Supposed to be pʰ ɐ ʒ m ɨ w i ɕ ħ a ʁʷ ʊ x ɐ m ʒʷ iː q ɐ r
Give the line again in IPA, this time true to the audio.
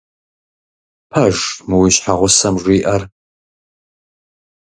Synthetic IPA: pʰ ɐ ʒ m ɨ w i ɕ ħ a ʁʷ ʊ s ɐ m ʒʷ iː ʔ ɐ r